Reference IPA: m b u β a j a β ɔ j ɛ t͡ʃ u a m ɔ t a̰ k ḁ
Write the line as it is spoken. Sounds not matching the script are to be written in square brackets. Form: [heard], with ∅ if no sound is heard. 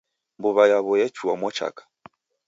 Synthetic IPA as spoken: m b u β a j a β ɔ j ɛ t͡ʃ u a m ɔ [t͡ʃ] a̰ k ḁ